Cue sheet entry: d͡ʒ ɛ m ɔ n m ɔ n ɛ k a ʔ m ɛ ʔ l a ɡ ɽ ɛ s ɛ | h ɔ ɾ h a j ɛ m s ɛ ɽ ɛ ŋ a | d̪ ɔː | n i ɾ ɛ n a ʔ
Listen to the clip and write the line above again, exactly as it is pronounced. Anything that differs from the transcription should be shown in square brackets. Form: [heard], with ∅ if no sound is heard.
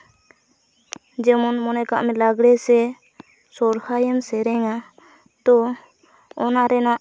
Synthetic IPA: d͡ʒ ɛ m ɔ n m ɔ n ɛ k a ʔ m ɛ [∅] l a ɡ ɽ ɛ s ɛ | [s] ɔ ɾ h a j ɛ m s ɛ [ɾ] ɛ ŋ a | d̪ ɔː | n [a] ɾ ɛ n a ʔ